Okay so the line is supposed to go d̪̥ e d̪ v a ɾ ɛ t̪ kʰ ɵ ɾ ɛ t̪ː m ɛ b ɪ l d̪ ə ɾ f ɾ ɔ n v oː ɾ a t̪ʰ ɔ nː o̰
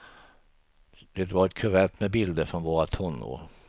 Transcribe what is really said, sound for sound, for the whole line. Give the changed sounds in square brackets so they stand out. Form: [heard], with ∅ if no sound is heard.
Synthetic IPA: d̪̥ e [t̪] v a ɾ ɛ t̪ kʰ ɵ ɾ ɛ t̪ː m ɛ b ɪ l d̪ ə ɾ f ɾ ɔ n v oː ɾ a t̪ʰ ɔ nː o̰